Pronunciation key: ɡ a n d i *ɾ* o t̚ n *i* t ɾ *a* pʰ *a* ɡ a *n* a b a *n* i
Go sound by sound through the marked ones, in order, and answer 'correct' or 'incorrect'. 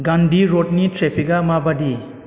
correct, correct, incorrect, incorrect, incorrect, incorrect

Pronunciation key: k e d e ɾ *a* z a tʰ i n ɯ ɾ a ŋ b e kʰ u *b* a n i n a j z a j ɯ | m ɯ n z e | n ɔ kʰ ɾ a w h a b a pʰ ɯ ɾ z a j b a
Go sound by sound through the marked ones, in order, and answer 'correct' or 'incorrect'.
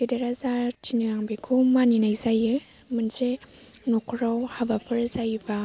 correct, incorrect

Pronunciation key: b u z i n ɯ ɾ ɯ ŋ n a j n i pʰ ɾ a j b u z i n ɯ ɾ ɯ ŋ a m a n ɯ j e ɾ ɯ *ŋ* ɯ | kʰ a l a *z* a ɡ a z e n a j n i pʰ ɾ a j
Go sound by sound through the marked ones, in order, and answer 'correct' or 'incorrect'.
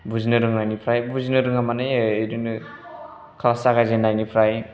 incorrect, incorrect

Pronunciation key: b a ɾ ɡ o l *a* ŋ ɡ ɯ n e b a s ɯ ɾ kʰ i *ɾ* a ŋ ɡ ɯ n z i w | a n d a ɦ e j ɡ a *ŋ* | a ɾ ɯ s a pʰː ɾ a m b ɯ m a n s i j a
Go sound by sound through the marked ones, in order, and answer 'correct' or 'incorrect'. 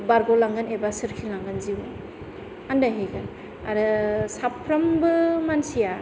correct, incorrect, incorrect

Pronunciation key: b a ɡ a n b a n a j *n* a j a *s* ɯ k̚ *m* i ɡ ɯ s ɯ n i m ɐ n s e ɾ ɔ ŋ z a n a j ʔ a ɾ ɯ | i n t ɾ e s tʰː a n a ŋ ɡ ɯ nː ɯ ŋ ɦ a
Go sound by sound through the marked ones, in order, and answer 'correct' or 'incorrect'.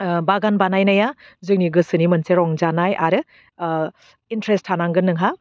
correct, incorrect, incorrect

